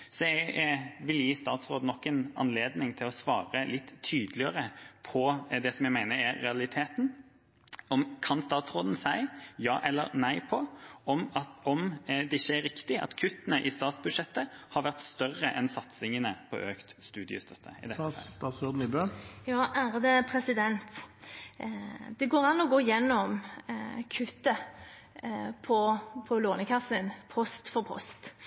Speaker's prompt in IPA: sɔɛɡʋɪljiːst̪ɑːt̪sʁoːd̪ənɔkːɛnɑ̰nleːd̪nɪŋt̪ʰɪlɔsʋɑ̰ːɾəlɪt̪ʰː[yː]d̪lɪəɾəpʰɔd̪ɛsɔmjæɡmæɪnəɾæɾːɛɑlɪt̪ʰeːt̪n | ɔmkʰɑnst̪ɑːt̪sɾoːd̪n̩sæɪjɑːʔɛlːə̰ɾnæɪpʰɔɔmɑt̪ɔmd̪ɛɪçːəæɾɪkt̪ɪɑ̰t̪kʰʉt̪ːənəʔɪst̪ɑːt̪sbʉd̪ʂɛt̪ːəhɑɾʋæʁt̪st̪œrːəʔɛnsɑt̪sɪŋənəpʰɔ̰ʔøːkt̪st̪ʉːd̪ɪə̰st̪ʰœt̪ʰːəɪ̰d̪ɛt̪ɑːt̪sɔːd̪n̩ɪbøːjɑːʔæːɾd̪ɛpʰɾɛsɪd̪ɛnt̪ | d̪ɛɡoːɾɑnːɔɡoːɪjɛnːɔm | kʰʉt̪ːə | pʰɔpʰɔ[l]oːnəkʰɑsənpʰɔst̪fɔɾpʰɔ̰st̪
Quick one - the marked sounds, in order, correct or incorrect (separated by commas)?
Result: correct, correct